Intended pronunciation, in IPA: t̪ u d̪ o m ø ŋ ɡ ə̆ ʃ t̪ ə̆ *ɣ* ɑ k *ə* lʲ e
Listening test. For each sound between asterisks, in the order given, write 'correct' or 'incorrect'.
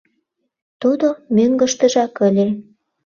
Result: incorrect: ʒ, correct

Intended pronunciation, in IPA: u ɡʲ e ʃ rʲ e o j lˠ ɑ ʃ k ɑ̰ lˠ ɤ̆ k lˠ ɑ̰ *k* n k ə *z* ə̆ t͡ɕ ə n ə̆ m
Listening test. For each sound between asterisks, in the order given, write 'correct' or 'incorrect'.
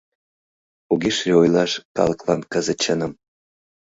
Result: incorrect: none, correct

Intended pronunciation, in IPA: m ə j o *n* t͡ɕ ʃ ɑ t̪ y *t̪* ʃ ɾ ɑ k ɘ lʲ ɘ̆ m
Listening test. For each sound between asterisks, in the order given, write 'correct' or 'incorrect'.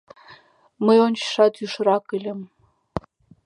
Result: correct, incorrect: none

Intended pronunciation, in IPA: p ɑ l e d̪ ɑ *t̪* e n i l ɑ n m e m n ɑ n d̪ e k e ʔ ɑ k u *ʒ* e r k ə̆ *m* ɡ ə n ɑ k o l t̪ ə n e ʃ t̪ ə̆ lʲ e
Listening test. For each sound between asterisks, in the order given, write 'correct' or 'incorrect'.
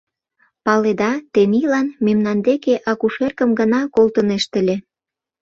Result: correct, incorrect: ʃ, correct

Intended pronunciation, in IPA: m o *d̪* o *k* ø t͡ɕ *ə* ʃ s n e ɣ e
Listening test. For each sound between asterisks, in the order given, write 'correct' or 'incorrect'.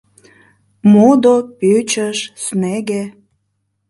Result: correct, incorrect: p, correct

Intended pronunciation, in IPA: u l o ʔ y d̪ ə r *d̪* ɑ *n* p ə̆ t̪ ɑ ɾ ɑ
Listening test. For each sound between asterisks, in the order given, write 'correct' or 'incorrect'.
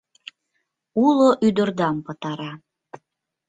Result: correct, incorrect: m

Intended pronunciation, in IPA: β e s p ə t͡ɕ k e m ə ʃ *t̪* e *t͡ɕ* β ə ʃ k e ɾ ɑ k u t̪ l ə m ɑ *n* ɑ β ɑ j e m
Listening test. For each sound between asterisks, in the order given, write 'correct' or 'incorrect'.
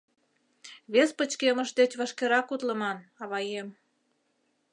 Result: incorrect: d̪, correct, correct

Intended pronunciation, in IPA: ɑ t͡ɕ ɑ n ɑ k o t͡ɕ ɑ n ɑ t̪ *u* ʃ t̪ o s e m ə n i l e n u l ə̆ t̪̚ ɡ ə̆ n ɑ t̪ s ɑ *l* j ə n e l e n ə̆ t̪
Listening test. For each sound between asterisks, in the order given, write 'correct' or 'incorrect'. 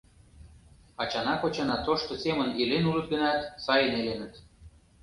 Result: incorrect: o, incorrect: none

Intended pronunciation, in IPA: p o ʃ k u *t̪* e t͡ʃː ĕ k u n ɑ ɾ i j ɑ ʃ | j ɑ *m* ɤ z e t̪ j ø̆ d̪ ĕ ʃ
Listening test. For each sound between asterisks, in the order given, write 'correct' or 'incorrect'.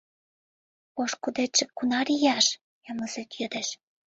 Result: incorrect: d̪, correct

